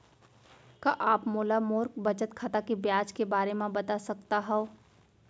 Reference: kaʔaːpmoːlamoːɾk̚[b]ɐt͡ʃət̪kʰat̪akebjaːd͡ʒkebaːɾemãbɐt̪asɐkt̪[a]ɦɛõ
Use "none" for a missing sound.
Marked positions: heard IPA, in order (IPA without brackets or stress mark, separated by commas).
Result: b, a